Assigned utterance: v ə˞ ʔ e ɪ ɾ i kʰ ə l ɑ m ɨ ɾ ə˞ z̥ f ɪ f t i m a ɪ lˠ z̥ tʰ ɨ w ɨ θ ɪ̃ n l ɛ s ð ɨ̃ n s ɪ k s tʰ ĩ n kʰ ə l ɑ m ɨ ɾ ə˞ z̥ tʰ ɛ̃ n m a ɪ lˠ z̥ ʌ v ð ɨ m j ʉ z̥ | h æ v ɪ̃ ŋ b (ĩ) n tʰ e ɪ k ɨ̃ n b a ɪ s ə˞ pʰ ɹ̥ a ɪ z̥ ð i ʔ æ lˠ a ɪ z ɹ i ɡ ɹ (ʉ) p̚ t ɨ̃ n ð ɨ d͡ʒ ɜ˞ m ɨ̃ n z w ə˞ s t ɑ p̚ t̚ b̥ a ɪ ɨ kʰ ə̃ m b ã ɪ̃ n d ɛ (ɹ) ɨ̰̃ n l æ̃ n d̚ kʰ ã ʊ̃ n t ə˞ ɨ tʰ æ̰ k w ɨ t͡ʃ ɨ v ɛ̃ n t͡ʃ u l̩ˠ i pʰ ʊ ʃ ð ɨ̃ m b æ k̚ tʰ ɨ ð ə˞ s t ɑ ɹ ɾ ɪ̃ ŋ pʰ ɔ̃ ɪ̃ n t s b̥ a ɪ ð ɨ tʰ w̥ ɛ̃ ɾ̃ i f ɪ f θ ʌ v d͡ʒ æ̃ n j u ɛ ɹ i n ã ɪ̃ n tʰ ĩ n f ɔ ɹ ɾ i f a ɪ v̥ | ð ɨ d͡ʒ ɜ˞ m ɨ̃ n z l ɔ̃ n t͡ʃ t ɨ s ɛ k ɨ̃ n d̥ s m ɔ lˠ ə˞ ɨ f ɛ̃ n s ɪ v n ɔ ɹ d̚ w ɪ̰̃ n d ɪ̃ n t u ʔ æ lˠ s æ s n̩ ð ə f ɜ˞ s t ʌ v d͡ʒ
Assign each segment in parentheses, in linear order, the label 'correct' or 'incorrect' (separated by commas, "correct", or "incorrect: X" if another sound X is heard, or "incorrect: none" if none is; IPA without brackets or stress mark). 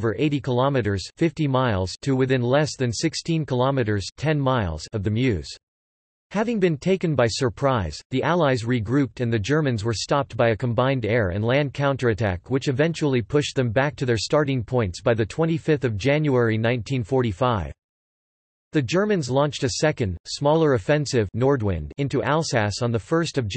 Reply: incorrect: ɨ̃, correct, correct